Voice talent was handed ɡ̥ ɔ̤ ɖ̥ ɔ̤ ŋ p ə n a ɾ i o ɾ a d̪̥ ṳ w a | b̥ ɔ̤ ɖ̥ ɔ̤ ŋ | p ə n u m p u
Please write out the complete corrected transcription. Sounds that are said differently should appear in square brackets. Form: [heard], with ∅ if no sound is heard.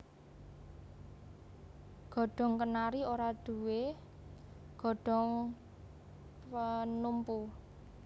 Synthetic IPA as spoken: ɡ̥ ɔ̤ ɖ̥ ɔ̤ ŋ [k] ə n a ɾ i o ɾ a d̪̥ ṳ w [e] | [ɡ̥] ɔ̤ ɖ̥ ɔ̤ ŋ | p ə n u m p u